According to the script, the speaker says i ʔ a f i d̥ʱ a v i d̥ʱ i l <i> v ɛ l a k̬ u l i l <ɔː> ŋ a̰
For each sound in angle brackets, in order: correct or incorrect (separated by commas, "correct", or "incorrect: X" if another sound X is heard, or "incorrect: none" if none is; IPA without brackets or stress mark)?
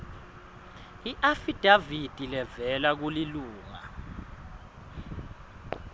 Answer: incorrect: ɛ, incorrect: uː